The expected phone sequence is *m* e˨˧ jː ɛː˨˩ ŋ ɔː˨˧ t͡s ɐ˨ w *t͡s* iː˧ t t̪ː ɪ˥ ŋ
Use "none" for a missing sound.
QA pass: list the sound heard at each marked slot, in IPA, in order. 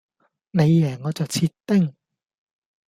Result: n, t͡sʰ

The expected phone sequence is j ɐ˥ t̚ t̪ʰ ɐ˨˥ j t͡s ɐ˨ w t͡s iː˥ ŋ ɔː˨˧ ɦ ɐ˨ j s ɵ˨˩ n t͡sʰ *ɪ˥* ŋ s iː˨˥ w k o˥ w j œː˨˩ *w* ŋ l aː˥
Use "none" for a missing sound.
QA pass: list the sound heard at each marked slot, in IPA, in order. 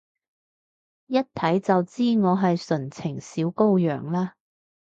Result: ɪ˨˩, none

